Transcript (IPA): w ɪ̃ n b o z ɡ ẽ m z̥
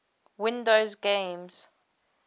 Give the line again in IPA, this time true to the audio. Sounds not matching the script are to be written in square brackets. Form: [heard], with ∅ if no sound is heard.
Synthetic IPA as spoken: w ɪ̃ n [d] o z ɡ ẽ m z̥